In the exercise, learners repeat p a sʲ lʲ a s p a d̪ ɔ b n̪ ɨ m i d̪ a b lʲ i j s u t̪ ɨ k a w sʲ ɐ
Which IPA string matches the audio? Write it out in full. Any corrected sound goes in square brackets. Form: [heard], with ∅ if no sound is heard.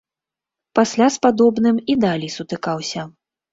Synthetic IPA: p a sʲ lʲ a s p a d̪ ɔ b n̪ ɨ m i d̪ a [∅] lʲ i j s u t̪ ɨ k a w sʲ ɐ